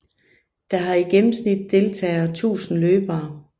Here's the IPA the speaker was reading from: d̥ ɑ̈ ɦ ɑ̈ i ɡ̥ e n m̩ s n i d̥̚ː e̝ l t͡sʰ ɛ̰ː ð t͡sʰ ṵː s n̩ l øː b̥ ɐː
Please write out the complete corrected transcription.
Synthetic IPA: d̥ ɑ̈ ɦ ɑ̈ i ɡ̥ e m m̩ s n i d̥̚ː e̝ l t͡sʰ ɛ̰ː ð t͡sʰ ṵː s n̩ l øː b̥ ɐː